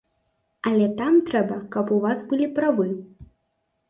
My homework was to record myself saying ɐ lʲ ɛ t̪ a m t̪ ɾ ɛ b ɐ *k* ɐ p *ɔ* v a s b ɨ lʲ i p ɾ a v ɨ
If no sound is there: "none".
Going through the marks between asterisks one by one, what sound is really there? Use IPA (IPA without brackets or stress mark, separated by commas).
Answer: k, u